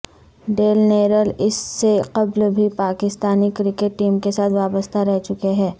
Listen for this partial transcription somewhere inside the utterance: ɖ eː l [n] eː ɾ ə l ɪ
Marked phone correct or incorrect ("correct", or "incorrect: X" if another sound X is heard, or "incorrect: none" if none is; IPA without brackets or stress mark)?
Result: correct